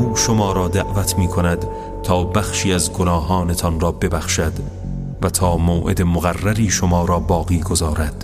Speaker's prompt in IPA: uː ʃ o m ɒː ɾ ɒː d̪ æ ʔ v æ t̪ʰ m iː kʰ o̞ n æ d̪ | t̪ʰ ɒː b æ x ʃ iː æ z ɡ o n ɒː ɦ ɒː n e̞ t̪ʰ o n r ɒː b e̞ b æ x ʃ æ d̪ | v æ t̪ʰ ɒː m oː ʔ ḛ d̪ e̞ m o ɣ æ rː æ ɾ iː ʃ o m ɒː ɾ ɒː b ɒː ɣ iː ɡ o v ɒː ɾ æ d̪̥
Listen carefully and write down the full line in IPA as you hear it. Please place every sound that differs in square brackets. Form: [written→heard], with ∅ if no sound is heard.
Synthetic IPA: uː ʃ o m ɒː ɾ ɒː d̪ æ ʔ v æ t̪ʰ m iː kʰ o̞ n æ d̪ | t̪ʰ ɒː b æ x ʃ iː æ z ɡ o n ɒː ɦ ɒː n e̞ t̪ʰ [o→ɒ] n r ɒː b e̞ b æ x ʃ æ d̪ | v æ t̪ʰ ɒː m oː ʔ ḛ d̪ e̞ m o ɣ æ rː æ ɾ iː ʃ o m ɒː ɾ ɒː b ɒː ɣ iː ɡ o [v→z] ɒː ɾ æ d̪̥